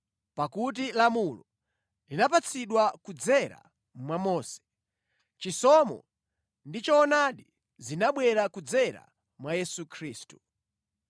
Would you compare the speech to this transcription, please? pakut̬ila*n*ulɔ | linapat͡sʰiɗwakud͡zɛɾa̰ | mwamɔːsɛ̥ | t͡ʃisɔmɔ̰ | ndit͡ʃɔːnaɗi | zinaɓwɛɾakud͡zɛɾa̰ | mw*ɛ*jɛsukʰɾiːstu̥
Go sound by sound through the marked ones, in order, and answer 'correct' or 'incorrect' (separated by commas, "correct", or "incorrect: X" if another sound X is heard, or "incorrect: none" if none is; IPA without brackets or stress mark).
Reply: incorrect: m, incorrect: a